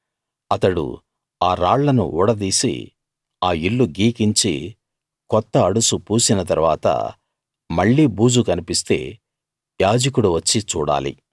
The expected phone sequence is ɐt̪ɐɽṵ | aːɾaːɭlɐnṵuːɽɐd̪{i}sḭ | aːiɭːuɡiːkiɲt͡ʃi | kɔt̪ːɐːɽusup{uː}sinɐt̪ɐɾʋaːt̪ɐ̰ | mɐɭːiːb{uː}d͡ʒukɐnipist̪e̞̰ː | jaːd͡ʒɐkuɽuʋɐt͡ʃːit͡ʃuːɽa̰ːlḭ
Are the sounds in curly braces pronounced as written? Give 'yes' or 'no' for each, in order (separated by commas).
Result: no, yes, yes